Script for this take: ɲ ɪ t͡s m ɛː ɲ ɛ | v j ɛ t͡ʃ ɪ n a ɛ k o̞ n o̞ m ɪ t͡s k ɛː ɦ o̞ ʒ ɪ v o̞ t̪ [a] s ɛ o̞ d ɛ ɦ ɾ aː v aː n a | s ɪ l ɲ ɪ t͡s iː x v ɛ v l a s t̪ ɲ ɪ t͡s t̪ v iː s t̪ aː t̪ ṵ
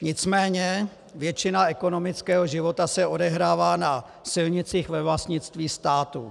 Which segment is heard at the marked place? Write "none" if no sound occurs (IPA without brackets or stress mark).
a